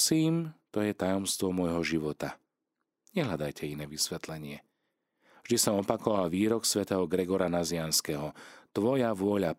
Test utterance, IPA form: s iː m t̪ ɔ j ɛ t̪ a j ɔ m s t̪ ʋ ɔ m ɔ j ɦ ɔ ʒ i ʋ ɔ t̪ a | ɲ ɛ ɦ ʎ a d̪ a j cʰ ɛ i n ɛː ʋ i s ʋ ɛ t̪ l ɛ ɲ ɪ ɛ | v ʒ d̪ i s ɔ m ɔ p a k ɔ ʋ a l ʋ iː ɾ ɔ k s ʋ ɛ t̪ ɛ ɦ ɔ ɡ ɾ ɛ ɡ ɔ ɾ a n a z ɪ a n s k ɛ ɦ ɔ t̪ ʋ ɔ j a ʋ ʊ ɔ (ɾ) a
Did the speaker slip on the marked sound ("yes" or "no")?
yes